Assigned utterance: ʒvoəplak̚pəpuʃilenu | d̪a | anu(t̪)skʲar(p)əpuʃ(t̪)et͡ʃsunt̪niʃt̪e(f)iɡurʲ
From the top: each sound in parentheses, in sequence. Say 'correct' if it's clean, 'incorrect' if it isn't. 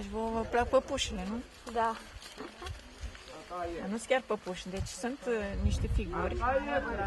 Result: incorrect: none, correct, incorrect: d̪, correct

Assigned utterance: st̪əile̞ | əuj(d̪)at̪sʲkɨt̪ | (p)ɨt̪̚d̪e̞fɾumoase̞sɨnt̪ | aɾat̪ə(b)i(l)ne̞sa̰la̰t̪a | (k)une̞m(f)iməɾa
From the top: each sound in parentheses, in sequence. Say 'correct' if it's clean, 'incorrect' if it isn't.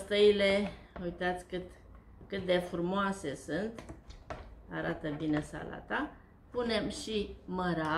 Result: incorrect: t̪, incorrect: k, correct, incorrect: none, incorrect: p, incorrect: ʃ

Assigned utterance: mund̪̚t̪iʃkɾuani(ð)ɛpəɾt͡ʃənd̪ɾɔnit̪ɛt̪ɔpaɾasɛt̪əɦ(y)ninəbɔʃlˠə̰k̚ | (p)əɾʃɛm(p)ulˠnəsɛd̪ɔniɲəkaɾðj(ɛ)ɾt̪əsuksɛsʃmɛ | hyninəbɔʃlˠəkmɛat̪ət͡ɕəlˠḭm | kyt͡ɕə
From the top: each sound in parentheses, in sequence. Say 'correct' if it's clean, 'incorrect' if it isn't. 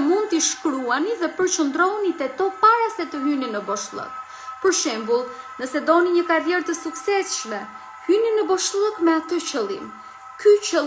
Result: correct, correct, correct, incorrect: b, correct

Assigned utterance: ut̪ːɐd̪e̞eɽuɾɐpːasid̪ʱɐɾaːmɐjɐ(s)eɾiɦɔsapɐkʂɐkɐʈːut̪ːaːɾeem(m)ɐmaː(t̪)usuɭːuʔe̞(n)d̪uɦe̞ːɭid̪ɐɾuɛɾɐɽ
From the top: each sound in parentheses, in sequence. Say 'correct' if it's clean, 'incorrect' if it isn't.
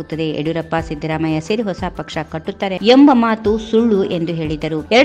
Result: correct, incorrect: b, correct, correct

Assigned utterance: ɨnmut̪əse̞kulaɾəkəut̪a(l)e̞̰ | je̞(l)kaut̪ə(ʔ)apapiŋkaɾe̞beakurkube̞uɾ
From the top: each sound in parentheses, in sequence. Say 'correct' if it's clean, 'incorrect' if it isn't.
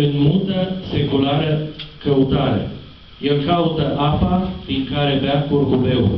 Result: incorrect: ɾ, correct, correct

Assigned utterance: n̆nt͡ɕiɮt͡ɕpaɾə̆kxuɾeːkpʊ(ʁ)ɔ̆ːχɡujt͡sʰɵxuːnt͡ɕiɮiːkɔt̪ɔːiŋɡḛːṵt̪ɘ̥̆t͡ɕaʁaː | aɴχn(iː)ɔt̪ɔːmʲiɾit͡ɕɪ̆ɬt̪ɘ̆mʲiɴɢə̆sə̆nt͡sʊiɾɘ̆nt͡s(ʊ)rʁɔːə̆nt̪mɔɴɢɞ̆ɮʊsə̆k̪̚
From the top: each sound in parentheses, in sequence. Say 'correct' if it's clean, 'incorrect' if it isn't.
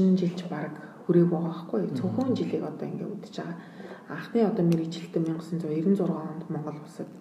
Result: correct, correct, correct

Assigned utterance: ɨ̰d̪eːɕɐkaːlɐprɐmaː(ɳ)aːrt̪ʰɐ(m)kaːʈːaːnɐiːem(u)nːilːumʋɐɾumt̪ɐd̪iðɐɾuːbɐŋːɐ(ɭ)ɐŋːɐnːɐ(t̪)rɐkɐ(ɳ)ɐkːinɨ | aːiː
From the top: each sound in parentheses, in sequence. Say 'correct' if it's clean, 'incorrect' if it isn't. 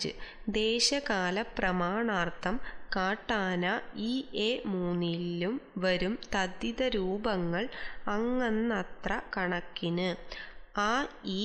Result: correct, correct, incorrect: uː, correct, correct, correct

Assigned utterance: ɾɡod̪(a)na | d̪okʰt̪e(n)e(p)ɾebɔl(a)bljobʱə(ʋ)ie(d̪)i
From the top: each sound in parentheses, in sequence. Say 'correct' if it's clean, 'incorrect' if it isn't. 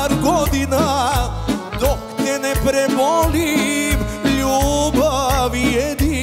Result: incorrect: i, correct, correct, incorrect: i, correct, correct

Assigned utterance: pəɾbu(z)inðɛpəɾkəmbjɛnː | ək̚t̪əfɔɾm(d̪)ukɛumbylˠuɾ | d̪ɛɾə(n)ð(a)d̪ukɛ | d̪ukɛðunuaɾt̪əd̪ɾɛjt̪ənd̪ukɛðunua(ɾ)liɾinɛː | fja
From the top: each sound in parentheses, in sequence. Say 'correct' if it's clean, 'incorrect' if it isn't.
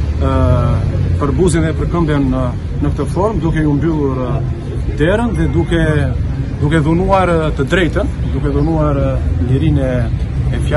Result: correct, correct, correct, incorrect: ɛ, correct

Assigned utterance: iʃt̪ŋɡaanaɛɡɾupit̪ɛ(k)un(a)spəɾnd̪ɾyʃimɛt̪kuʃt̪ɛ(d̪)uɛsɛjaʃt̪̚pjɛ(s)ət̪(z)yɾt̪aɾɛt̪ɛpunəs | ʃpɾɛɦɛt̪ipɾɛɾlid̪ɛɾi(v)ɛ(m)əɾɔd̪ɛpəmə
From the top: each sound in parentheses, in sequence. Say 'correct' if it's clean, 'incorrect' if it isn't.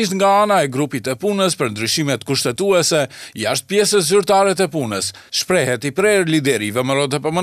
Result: incorrect: p, incorrect: ə, incorrect: t̪, correct, correct, correct, correct

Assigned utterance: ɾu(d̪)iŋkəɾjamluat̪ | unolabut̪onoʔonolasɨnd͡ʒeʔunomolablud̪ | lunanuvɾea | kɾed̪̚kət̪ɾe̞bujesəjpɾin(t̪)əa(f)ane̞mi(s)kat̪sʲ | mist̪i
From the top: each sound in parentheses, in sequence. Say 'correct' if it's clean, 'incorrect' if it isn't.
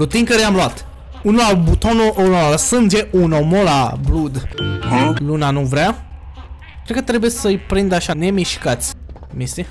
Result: incorrect: t̪, incorrect: d̪, incorrect: ʃ, incorrect: ʃ

